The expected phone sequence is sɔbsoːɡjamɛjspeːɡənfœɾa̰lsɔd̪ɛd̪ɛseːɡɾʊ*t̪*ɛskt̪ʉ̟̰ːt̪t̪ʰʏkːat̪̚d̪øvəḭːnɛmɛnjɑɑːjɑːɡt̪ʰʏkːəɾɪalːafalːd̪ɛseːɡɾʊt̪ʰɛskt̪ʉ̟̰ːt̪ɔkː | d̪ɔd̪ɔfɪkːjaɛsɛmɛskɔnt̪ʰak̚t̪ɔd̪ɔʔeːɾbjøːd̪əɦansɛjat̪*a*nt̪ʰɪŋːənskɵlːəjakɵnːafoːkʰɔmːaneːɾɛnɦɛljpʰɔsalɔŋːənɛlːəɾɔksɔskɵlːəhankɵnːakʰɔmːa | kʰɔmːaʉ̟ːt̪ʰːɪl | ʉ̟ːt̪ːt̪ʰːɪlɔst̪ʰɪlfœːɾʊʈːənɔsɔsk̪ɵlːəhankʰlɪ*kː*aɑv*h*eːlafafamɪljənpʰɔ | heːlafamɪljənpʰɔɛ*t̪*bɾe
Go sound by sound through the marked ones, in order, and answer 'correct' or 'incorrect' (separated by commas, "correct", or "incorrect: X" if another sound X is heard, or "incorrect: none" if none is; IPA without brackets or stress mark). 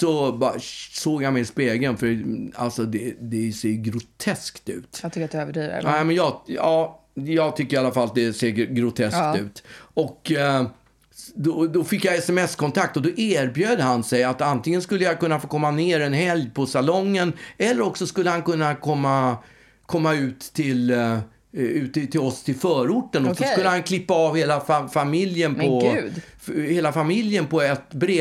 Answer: incorrect: t̪ʰ, correct, incorrect: pː, correct, correct